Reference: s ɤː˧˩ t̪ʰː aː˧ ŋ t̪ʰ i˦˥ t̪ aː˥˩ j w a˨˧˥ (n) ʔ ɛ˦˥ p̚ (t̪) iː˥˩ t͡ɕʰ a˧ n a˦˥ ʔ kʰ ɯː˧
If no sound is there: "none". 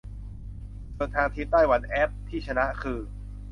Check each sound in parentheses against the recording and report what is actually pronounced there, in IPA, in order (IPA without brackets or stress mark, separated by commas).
n, t̪ʰ